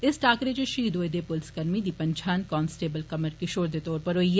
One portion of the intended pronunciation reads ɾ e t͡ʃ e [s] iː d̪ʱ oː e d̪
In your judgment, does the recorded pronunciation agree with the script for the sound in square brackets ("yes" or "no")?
no